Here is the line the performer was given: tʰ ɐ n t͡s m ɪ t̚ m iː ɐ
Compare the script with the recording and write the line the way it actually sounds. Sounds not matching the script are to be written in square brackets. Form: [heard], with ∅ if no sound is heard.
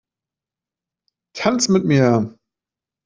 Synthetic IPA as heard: tʰ [a] n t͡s m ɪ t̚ m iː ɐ